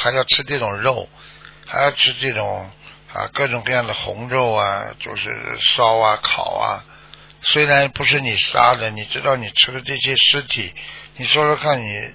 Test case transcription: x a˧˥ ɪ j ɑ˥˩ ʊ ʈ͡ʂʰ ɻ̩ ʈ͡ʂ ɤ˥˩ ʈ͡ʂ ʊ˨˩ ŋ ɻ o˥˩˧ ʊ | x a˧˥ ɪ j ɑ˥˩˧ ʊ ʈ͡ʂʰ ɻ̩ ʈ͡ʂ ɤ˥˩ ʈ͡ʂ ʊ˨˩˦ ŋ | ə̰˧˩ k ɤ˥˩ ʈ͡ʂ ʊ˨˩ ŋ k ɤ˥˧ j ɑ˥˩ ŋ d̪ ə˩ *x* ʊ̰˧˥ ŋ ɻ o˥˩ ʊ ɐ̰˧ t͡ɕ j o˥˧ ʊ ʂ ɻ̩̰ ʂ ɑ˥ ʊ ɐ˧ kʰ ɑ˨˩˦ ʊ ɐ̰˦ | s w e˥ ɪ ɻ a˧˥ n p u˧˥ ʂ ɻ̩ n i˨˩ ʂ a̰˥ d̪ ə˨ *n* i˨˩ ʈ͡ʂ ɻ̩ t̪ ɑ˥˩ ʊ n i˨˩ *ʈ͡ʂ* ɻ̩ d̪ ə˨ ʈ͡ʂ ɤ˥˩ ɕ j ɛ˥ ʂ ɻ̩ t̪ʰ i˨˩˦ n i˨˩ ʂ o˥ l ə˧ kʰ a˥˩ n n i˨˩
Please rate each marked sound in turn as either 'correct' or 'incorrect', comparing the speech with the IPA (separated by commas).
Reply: correct, correct, incorrect